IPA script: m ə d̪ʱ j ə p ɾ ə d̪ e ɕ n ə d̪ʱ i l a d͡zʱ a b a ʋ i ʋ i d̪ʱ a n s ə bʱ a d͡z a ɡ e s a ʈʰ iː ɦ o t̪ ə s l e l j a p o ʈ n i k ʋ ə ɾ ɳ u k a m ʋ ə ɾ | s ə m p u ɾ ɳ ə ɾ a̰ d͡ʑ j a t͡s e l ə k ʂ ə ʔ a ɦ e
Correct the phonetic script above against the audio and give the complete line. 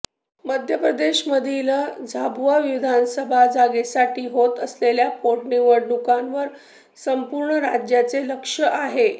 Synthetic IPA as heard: m ə d̪ʱ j ə p ɾ ə d̪ e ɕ m ə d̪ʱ i l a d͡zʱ a b a ʋ i ʋ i d̪ʱ a n s ə bʱ a d͡z a ɡ e s a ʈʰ iː ɦ o t̪ ə s l e l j a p o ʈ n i ʋ ə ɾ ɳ u k a n ʋ ə ɾ | s ə m p u ɾ ɳ ə ɾ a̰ d͡ʑ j a t͡s e l ə k ʂ ə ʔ a ɦ e